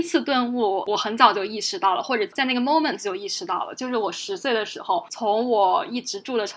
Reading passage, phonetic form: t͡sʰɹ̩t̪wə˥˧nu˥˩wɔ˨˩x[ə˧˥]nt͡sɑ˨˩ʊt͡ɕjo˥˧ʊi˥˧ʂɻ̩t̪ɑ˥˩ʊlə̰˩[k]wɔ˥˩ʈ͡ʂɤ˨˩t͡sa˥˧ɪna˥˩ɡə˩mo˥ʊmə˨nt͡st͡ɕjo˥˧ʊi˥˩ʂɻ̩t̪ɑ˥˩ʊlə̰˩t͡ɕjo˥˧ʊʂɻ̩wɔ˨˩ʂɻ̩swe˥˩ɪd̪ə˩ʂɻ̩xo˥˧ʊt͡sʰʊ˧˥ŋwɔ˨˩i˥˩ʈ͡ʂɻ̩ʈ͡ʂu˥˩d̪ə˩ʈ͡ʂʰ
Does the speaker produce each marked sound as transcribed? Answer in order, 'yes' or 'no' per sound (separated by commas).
yes, no